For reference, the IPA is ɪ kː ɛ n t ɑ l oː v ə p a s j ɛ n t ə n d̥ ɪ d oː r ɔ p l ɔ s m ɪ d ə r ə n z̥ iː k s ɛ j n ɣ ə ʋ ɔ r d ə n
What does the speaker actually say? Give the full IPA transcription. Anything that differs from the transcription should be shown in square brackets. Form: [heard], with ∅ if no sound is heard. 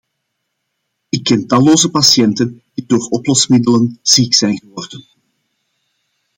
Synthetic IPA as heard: ɪ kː ɛ n t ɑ l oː [z] ə p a s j ɛ n t ə n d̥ [i] d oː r ɔ p l ɔ s m ɪ d ə [l] ə n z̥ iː k s ɛ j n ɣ ə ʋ ɔ r d ə n